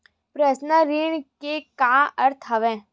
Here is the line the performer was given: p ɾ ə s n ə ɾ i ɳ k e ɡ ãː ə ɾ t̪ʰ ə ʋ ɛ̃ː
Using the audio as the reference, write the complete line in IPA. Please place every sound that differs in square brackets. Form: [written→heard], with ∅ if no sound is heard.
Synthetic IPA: p ɾ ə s n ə ɾ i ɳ k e [ɡ→k] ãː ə ɾ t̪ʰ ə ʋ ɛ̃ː